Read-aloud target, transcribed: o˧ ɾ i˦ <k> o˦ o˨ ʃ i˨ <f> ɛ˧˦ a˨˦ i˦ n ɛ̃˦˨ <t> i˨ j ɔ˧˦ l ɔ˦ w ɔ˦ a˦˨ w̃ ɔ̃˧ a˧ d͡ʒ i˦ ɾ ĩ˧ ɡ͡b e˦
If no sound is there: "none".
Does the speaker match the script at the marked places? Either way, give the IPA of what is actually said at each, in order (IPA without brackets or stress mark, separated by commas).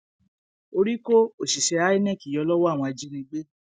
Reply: k, ʃ, k